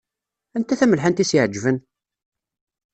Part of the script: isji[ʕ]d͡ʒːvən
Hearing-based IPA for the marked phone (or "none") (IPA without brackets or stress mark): ʕ